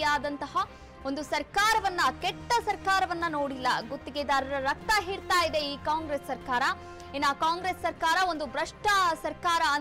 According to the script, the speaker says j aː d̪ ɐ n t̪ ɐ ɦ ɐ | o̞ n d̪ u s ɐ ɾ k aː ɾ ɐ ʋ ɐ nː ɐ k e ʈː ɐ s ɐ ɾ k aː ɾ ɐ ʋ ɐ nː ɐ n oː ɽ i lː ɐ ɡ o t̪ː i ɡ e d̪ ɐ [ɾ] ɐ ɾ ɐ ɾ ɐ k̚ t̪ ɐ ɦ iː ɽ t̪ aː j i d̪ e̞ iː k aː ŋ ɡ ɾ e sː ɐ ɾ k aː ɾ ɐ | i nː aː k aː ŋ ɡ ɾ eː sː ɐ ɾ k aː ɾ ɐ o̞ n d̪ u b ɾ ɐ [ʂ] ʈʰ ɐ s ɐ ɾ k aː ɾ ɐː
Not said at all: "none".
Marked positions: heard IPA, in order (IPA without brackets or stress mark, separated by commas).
ɾ, ʂ